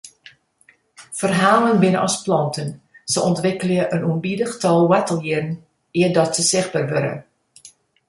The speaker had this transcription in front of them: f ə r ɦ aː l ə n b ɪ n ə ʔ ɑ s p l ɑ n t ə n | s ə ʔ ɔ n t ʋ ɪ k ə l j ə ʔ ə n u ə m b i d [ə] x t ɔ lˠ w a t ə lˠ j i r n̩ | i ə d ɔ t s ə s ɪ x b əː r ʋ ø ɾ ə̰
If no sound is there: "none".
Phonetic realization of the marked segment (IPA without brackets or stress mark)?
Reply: ə